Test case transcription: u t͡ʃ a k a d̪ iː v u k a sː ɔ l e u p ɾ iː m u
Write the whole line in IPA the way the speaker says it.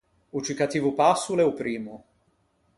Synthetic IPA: u t͡ʃ i k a t̪ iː v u p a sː u l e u p ɾ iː m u